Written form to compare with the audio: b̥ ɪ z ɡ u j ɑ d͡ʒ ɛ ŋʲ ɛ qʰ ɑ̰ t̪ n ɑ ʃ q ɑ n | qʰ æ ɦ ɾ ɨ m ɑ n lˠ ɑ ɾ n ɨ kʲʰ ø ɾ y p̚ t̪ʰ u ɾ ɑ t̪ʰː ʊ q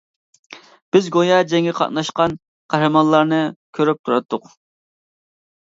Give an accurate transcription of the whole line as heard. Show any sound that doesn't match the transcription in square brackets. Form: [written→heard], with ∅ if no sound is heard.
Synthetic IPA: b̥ ɪ z ɡ [u→o] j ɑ d͡ʒ ɛ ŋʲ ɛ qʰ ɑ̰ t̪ n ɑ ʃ q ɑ n | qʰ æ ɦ ɾ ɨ m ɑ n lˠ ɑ ɾ n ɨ kʲʰ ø ɾ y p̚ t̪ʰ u ɾ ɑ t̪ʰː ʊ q